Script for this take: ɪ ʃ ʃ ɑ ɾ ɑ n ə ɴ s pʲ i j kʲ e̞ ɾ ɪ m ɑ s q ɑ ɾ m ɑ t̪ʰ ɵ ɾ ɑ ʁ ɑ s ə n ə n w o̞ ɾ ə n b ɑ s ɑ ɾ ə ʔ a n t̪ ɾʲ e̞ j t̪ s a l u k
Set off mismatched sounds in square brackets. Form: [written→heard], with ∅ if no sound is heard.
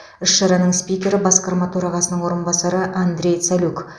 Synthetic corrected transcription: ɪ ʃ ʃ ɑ ɾ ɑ n ə ɴ s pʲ i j kʲ e̞ ɾ ɪ [m→b] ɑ s q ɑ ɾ m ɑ t̪ʰ ɵ ɾ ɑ ʁ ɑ s ə n ə [n→ɴ] w o̞ ɾ ə n b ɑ s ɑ ɾ ə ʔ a n [t̪→d̪] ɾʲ e̞ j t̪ s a l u k

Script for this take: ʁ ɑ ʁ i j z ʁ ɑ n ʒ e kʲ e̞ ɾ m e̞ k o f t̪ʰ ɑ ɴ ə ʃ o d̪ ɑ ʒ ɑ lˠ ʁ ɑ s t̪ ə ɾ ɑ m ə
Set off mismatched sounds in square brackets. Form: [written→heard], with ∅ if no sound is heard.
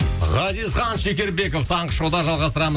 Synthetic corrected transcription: ʁ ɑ [ʁ→z] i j z [ʁ→χ] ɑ n [ʒ→ʃ] e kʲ e̞ ɾ [m→b] e̞ k o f t̪ʰ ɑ ɴ ə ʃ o d̪ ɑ ʒ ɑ lˠ ʁ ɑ s t̪ ə ɾ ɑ m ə

